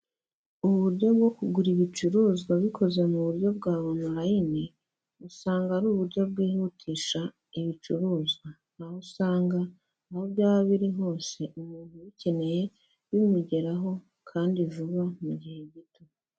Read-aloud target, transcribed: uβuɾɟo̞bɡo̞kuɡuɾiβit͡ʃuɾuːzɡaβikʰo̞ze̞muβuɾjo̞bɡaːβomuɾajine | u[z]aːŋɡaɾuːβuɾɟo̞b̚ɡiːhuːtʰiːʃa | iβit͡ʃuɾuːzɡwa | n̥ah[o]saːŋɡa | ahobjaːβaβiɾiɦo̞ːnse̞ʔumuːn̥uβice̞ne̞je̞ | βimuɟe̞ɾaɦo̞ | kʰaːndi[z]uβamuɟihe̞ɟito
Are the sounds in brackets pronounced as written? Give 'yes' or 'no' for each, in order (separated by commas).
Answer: no, no, no